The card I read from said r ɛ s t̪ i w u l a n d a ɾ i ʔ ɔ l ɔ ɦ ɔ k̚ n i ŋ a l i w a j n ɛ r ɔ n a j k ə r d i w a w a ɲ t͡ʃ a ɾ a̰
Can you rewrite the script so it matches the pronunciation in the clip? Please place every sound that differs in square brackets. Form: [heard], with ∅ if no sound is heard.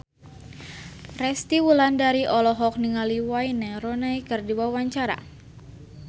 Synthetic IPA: r ɛ s t̪ i w u l a n d a ɾ i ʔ ɔ l ɔ ɦ ɔ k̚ n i ŋ a l i w a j n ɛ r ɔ n a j k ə r d i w a w a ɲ t͡ʃ a ɾ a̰

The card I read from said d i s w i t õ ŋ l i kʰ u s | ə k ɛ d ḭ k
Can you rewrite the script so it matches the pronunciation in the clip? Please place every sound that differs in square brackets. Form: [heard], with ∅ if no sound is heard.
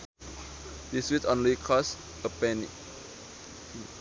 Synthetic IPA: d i s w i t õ [n] l i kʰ [ɔ] s | ə [p] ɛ [n] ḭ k

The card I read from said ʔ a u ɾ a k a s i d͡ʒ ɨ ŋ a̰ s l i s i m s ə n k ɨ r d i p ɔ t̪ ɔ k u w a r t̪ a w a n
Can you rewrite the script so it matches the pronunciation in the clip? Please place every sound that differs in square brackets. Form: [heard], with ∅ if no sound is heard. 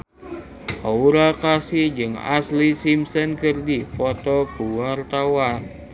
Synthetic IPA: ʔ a u ɾ a k a s i d͡ʒ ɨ ŋ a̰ s l i s i m s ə n k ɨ r d i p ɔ t̪ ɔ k u w a r t̪ a w a n

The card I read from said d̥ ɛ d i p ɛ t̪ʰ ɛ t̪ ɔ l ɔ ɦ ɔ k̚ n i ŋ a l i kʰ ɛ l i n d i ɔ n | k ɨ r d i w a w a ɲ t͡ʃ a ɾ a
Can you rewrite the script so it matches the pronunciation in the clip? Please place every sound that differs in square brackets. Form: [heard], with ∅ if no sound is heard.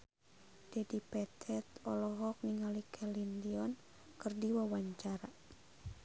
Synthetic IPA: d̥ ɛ d i p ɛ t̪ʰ ɛ t̪ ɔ l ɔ ɦ ɔ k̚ n i ŋ a l i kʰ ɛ l i n d i ɔ n | k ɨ r d i w a w a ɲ t͡ʃ a ɾ a

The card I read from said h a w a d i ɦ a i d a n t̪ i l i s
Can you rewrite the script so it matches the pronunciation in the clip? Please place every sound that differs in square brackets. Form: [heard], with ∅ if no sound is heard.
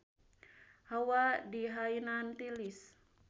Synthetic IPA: h a w a d i ɦ a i [n] a n t̪ i l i s

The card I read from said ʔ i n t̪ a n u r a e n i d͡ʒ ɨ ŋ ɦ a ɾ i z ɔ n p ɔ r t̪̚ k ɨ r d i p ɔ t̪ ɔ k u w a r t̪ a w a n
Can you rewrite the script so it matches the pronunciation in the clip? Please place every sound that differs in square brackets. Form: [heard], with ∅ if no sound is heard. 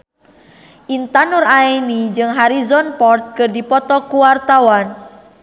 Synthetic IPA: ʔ i n t̪ a n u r a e n i d͡ʒ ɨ ŋ ɦ a ɾ i z ɔ n p ɔ r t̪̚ k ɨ r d i p ɔ t̪ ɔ k u w a r t̪ a w a n

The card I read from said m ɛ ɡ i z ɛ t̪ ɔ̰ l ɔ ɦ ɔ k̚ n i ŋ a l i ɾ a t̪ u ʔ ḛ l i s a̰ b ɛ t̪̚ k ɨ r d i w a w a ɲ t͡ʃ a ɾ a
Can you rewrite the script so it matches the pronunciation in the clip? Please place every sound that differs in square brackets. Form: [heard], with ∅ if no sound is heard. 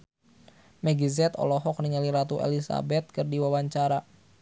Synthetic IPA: m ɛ ɡ i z ɛ t̪ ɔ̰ l ɔ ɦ ɔ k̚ n i ŋ a l i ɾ a t̪ u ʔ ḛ l i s a̰ b ɛ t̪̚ k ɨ r d i w a w a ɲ t͡ʃ a ɾ a

